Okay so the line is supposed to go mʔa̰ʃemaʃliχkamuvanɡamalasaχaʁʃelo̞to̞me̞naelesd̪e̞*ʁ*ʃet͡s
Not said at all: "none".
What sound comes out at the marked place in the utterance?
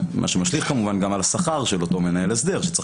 ʁ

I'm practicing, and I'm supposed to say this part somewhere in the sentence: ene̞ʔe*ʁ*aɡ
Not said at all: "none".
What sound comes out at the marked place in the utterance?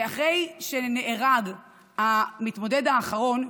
ʁ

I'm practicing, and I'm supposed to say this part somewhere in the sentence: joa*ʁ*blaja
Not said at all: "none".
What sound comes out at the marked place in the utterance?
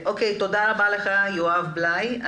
v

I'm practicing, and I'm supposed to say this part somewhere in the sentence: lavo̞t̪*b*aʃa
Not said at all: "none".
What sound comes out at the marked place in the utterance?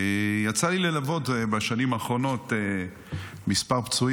b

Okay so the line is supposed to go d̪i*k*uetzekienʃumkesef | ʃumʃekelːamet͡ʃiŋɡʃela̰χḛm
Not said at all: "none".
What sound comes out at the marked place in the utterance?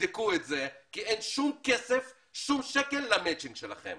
k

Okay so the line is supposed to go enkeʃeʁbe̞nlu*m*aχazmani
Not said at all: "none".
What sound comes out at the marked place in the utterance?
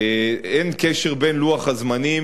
none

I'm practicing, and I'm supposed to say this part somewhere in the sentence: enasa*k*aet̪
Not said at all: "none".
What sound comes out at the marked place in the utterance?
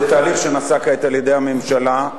k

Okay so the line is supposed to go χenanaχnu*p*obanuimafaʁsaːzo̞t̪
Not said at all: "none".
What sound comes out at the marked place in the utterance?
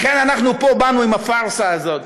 p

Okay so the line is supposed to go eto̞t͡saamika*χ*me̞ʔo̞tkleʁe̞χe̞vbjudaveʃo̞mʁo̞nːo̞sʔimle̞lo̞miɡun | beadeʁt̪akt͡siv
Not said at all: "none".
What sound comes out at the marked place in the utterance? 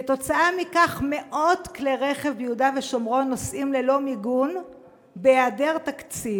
χ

